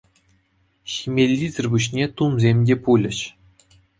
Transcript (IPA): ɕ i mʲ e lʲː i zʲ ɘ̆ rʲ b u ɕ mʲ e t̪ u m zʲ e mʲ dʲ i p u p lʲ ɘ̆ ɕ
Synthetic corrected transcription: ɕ i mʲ e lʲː i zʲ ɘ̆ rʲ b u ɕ nʲ e t̪ u m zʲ e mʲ dʲ e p u lʲ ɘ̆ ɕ